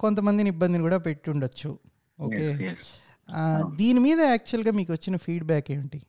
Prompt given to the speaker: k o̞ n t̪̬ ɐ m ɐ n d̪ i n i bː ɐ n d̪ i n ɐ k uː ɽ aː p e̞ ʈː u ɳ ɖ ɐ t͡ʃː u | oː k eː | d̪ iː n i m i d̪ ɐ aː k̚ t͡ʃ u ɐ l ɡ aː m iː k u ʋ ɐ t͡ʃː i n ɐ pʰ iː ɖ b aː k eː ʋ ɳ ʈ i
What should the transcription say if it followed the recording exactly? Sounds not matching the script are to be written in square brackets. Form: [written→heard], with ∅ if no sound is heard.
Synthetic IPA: k o̞ n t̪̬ ɐ m ɐ n d̪ i n i bː ɐ n d̪ i n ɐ k uː ɽ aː p e̞ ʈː u ɳ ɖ ɐ t͡ʃː u | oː k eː | d̪ iː n i m [i→iː] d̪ ɐ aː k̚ t͡ʃ u ɐ l ɡ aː m iː k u ʋ ɐ t͡ʃː i n ɐ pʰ iː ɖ b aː k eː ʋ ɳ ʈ i